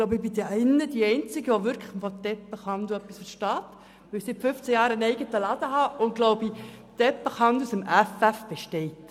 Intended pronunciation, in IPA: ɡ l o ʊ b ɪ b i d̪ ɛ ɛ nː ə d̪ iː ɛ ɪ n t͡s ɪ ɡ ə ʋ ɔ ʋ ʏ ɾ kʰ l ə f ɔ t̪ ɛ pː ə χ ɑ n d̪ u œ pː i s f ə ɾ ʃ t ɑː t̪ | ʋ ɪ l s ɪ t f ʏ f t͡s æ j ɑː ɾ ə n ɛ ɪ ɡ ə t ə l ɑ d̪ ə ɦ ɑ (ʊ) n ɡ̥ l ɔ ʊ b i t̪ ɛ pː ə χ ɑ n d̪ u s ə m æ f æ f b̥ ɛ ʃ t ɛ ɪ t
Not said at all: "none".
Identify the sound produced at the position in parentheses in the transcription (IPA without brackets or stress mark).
ʊ